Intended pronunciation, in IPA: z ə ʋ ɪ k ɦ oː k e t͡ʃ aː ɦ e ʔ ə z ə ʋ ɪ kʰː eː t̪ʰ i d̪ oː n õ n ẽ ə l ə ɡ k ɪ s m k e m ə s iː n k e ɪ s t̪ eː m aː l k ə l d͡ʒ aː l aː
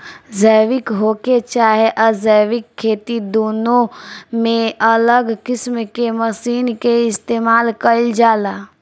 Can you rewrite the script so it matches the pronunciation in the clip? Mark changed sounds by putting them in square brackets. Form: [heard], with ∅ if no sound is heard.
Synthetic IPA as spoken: z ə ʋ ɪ k ɦ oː k e t͡ʃ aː ɦ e ʔ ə z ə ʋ ɪ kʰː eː [t̪] i d̪ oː n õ [m] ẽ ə l ə ɡ k ɪ s m k e m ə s iː n k e ɪ s t̪ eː m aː l k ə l d͡ʒ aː l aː